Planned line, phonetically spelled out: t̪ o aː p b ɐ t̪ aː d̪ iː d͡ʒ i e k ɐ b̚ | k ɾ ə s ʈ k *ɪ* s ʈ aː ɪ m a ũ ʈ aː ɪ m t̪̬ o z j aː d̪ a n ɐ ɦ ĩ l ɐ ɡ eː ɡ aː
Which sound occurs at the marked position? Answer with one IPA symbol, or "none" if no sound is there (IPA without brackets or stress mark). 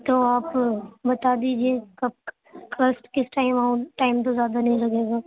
ɪ